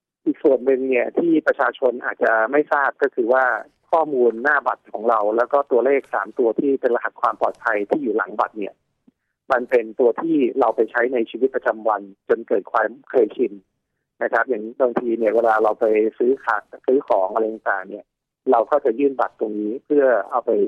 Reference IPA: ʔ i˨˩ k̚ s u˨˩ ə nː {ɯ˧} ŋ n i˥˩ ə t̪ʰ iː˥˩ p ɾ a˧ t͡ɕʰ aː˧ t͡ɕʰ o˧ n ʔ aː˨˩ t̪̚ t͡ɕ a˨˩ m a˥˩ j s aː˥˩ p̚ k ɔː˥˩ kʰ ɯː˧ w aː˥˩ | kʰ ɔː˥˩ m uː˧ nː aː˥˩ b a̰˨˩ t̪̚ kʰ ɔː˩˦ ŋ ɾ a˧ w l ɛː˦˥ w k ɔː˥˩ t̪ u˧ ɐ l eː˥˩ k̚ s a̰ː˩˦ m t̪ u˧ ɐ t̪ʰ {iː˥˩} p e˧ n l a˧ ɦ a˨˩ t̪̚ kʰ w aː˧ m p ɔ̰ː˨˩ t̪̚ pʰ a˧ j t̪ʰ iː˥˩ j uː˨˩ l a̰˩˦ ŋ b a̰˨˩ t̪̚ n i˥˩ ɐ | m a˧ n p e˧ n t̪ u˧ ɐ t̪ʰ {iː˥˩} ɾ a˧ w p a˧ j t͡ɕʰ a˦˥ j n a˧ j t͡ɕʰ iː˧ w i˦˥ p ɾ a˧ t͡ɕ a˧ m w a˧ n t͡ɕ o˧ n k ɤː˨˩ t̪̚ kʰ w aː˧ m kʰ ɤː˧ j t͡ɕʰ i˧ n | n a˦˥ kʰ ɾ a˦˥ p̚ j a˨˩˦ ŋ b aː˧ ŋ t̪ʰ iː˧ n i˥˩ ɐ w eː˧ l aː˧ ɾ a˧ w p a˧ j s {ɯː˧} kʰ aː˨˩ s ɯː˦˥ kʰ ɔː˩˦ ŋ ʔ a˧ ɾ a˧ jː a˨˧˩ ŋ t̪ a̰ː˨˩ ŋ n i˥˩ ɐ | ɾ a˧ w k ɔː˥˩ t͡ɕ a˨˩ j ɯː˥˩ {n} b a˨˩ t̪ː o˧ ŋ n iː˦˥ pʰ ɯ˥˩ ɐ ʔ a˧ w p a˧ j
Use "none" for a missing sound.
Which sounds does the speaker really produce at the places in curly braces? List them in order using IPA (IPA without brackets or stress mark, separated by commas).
ɯ˧, iː˥˩, iː˥˩, ɯː˦˥, n